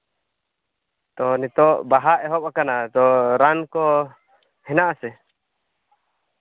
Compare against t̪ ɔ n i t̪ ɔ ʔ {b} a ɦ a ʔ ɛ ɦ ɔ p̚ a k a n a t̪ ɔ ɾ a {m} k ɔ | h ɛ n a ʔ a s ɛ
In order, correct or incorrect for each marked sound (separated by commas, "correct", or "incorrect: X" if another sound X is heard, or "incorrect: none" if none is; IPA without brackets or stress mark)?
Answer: correct, incorrect: n